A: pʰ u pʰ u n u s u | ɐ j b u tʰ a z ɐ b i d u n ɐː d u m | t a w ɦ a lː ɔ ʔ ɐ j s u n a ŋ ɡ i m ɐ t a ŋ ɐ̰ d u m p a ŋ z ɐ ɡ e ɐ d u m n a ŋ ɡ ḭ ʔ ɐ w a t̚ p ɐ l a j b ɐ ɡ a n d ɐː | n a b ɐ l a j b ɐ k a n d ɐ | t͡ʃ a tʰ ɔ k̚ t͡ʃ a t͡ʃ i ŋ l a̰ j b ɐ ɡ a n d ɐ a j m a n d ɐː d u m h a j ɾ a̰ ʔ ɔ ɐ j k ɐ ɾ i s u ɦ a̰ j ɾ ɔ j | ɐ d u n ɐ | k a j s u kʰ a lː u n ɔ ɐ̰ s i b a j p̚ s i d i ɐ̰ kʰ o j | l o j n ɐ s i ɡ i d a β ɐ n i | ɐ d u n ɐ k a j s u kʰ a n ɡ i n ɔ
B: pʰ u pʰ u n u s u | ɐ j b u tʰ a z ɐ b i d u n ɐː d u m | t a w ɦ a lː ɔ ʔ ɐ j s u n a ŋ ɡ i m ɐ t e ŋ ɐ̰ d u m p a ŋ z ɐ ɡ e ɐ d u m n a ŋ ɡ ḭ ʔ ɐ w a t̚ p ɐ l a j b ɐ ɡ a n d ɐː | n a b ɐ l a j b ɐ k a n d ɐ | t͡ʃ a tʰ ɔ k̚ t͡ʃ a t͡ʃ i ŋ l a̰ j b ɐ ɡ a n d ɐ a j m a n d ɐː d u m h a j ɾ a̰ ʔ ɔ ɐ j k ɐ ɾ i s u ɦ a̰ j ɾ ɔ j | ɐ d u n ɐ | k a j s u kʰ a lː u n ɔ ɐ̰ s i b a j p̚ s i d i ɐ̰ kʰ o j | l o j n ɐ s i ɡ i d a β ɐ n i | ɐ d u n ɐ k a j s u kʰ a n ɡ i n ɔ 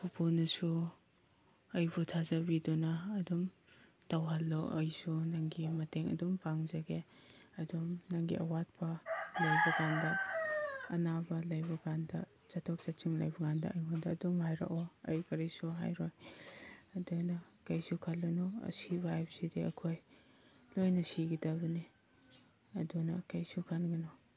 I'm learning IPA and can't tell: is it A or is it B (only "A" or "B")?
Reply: B